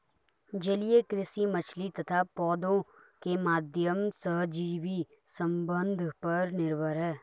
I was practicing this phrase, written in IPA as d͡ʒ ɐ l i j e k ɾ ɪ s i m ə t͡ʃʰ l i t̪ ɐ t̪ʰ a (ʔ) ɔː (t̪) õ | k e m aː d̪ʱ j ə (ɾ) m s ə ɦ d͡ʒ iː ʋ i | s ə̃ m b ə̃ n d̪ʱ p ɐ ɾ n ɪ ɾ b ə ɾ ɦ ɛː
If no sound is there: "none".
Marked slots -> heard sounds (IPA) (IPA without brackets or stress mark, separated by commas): p, d̪, none